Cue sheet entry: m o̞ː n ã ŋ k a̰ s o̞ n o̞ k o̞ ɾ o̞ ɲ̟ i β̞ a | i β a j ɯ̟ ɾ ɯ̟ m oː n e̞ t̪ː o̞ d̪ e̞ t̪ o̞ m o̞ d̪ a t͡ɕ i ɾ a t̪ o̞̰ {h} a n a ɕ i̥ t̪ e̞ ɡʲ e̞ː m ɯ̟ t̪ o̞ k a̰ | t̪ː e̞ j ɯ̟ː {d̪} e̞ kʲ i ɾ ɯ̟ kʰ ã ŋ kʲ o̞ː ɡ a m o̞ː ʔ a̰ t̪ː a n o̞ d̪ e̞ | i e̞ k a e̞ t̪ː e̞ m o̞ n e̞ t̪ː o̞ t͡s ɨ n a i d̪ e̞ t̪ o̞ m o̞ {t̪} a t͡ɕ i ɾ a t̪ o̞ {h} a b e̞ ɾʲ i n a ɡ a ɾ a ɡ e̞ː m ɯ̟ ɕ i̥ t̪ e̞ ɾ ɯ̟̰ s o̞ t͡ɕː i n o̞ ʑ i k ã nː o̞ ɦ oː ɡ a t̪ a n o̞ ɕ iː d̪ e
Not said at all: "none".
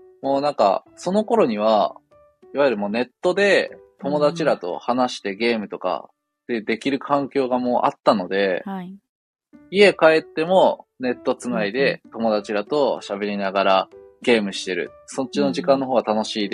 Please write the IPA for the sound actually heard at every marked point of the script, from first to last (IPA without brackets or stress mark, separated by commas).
h, d̪, d̪, ɕ